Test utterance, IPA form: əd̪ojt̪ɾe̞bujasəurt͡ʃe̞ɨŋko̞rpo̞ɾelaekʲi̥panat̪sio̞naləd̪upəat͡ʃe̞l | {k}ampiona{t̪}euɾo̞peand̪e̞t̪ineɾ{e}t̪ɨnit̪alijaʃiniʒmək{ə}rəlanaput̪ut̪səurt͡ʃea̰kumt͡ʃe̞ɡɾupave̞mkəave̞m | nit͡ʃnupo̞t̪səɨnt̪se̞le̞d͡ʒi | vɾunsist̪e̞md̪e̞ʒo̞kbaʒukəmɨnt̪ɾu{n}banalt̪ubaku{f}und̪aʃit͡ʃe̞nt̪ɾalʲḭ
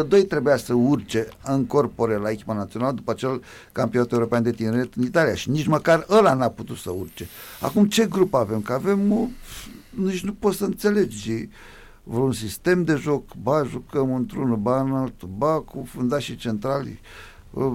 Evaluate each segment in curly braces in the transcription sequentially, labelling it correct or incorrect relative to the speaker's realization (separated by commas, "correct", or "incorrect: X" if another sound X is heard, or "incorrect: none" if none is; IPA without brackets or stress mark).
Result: correct, correct, correct, incorrect: a, correct, correct